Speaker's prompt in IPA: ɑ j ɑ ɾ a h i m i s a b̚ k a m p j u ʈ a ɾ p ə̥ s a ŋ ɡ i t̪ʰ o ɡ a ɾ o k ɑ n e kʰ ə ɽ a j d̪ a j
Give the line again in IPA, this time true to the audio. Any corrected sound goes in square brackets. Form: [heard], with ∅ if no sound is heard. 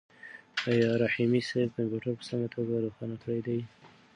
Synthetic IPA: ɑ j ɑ ɾ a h i m i s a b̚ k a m p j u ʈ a ɾ p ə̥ s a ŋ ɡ [a] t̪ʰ o ɡ a ɾ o [x] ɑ n [a] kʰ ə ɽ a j d̪ a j